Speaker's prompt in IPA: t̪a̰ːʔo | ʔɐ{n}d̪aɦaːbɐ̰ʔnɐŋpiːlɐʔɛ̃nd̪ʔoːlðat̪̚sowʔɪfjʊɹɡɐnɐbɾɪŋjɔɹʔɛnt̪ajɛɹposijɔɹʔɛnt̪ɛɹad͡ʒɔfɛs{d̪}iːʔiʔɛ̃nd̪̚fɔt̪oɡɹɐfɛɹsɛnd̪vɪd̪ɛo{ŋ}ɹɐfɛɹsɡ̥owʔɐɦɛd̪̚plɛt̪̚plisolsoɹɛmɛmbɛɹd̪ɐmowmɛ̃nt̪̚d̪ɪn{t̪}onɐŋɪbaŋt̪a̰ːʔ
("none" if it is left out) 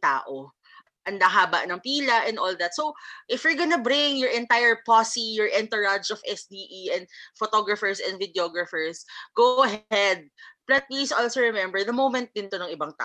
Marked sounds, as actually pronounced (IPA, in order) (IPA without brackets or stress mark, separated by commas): n, d̪, ɡ, t̪